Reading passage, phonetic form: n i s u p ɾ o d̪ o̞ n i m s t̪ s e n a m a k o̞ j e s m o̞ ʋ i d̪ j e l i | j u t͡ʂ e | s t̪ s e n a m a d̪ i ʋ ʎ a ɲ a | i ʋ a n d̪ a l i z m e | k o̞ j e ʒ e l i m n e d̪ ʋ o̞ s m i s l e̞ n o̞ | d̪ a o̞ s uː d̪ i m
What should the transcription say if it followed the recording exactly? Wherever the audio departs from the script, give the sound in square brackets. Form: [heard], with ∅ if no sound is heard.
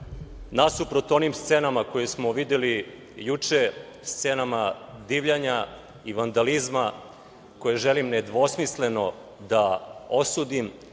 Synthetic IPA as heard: n [a] s u p ɾ o [t̪] o̞ n i m s t̪ s e n a m a k o̞ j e s m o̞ ʋ i d̪ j e l i | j u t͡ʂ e | s t̪ s e n a m a d̪ i ʋ ʎ a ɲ a | i ʋ a n d̪ a l i z m [a] | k o̞ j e ʒ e l i m n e d̪ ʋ o̞ s m i s l e̞ n o̞ | d̪ a o̞ s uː d̪ i m

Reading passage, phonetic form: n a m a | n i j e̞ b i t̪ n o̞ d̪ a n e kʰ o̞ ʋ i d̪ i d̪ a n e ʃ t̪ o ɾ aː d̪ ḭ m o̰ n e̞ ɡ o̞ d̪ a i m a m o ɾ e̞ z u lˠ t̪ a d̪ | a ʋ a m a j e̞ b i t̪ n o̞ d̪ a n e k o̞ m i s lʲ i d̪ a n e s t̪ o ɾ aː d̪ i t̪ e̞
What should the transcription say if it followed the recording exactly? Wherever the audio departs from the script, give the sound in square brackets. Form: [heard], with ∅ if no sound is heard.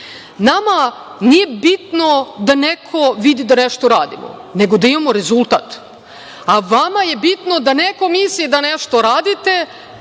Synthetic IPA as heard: n a m a | n i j e̞ b i t̪ n o̞ d̪ a n e kʰ o̞ ʋ i d̪ i d̪ a n e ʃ t̪ o ɾ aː d̪ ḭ m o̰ n e̞ ɡ o̞ d̪ a i m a m o ɾ e̞ z u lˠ t̪ a [t̪] | a ʋ a m a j e̞ b i t̪ n o̞ d̪ a n e k o̞ m i s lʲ i d̪ a n e [ʃ] t̪ o ɾ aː d̪ i t̪ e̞

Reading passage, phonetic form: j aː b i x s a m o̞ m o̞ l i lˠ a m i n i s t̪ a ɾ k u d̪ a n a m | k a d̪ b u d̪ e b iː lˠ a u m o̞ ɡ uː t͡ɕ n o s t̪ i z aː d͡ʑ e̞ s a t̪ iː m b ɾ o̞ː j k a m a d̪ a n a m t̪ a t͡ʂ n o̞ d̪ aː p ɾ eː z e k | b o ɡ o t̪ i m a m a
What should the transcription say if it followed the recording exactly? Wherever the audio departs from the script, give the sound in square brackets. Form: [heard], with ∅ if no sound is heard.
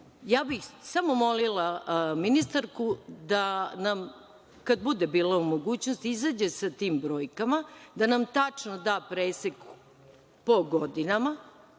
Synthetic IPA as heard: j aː b i x s a m o̞ m o̞ l i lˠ a m i n i s t̪ a ɾ k u d̪ a n a m | k a d̪ b u d̪ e b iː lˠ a u m o̞ ɡ uː t͡ɕ n o s t̪ i z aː d͡ʑ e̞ s a t̪ iː m b ɾ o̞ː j k a m a d̪ a n a m t̪ a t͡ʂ n o̞ d̪ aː p ɾ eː [s] e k | [p] o ɡ o [d̪] i [n] a m a

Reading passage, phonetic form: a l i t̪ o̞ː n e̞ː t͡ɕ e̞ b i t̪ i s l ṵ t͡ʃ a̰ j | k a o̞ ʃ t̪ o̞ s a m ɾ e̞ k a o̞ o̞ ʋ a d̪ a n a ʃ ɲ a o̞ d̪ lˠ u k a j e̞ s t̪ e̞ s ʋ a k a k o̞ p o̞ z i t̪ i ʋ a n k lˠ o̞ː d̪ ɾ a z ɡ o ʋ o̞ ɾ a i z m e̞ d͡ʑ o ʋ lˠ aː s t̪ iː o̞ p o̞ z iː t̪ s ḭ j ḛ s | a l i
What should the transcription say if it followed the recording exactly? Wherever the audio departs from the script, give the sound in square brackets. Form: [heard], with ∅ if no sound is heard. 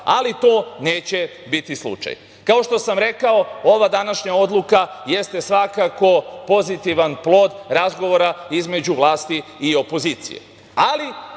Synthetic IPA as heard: a l i t̪ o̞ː n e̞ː t͡ɕ e̞ b i t̪ i s l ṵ t͡ʃ a̰ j | k a o̞ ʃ t̪ o̞ s a m ɾ e̞ k a o̞ o̞ ʋ a d̪ a n a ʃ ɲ a o̞ d̪ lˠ u k a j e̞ s t̪ e̞ s ʋ a k a k o̞ p o̞ z i t̪ i ʋ a n [p] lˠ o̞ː d̪ ɾ a z ɡ o ʋ o̞ ɾ a i z m e̞ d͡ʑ [u] ʋ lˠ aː s t̪ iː o̞ p o̞ z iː t̪ s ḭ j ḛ [∅] | a l i

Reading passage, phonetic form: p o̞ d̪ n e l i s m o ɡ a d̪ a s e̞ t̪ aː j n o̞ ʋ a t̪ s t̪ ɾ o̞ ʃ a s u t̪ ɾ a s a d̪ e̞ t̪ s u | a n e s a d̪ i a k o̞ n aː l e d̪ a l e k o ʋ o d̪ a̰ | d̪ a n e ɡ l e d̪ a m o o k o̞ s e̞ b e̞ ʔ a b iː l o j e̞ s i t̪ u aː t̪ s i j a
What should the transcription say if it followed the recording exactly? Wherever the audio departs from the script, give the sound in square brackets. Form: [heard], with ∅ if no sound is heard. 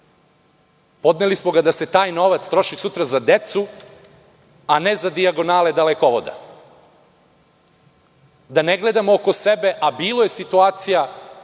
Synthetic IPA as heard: p o̞ d̪ n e l i s m o ɡ a d̪ a s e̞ t̪ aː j n o̞ ʋ a t̪ s t̪ ɾ o̞ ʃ [i] s u t̪ ɾ a [z] a d̪ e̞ t̪ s u | a n e [z] a d̪ i a [ɡ] o̞ n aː l e d̪ a l e k o ʋ o d̪ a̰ | d̪ a n e ɡ l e d̪ a m o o k o̞ s e̞ b e̞ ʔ a b iː l o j e̞ s i t̪ u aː t̪ s i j a

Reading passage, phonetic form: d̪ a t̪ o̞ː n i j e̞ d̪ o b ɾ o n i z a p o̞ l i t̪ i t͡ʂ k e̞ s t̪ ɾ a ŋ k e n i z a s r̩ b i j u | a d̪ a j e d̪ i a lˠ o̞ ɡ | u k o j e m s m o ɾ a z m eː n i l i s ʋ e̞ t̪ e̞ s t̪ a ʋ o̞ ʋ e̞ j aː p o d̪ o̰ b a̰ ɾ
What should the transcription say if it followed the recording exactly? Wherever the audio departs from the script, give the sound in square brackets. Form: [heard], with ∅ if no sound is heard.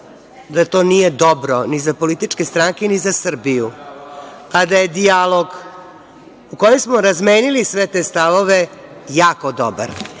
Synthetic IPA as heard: d̪ a t̪ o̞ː n i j e̞ d̪ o b ɾ o n i z a p o̞ l i t̪ i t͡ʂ k e̞ s t̪ ɾ a ŋ k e n i z a s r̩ b i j u | a d̪ a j e d̪ i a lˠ o̞ ɡ | u k o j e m s m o ɾ a z m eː n i l i s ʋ e̞ t̪ e̞ s t̪ a ʋ o̞ ʋ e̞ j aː [k] o d̪ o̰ b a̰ ɾ

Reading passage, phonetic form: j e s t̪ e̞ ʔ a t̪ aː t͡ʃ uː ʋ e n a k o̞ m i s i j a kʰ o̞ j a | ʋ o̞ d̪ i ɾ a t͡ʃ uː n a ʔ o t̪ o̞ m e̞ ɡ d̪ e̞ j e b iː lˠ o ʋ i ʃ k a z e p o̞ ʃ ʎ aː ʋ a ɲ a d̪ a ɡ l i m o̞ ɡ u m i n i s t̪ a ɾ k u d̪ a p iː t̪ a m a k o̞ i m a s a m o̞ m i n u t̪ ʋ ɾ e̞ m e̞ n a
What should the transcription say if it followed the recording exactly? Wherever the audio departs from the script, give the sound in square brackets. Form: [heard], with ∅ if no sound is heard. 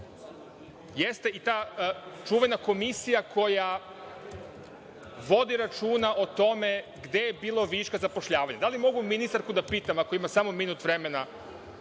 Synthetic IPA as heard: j e s t̪ e̞ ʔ [i] t̪ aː t͡ʃ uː ʋ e n a k o̞ m i s i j a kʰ o̞ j a | ʋ o̞ d̪ i ɾ a t͡ʃ uː n a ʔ o t̪ o̞ m e̞ ɡ d̪ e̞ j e b iː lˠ o ʋ i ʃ k a z [a] p o̞ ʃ ʎ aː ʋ a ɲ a d̪ a [∅] l i m o̞ ɡ u m i n i s t̪ a ɾ k u d̪ a p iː t̪ a m a k o̞ i m a s a m o̞ m i n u t̪ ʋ ɾ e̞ m e̞ n a

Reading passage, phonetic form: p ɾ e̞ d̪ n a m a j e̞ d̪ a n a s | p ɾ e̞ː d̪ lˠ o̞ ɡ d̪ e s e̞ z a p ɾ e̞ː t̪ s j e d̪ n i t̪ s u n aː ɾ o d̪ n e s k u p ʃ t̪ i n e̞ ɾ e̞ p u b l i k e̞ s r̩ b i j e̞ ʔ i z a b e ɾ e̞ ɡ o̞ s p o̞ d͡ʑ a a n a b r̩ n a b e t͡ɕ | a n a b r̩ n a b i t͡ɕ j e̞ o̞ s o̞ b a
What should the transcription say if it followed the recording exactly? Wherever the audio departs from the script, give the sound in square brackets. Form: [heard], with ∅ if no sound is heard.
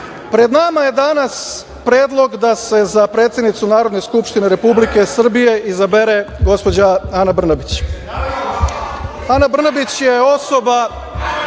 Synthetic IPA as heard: p ɾ e̞ d̪ n a m a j e̞ d̪ a n a s | p ɾ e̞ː d̪ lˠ o̞ ɡ d̪ [a] s e̞ z a p ɾ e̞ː t̪ s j e d̪ n i t̪ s u n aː ɾ o d̪ n e s k u p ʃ t̪ i n e̞ ɾ e̞ p u b l i k e̞ s r̩ b i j e̞ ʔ i z a b e ɾ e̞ ɡ o̞ s p o̞ d͡ʑ a a n a b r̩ n a b [i] t͡ɕ | a n a b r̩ n a b i t͡ɕ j e̞ o̞ s o̞ b a

